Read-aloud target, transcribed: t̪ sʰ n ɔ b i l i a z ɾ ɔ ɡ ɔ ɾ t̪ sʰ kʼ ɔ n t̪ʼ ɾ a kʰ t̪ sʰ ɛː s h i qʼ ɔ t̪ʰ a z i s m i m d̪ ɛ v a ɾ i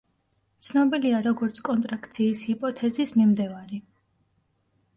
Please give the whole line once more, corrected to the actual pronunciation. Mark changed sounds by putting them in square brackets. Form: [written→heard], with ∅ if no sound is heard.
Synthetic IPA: t̪ sʰ n ɔ b i l i a [z→∅] ɾ ɔ ɡ ɔ ɾ t̪ sʰ kʼ ɔ n t̪ʼ ɾ a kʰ t̪ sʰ [ɛː→iː] s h i [qʼ→pʼ] ɔ t̪ʰ [a→ɛ] z i s m i m d̪ ɛ v a ɾ i